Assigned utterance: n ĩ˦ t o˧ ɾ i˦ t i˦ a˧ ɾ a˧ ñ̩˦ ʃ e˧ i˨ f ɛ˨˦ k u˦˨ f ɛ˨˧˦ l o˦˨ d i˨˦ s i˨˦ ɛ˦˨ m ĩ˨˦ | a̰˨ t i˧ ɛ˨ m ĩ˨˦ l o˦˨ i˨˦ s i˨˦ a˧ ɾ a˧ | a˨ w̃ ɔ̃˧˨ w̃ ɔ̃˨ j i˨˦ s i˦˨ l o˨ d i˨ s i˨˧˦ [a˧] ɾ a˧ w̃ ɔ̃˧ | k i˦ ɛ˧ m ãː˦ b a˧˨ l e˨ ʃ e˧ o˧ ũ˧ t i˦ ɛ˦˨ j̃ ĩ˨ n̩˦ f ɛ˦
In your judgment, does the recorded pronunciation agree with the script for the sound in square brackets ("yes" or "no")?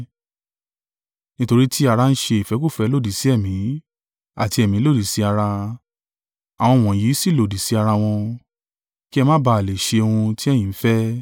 yes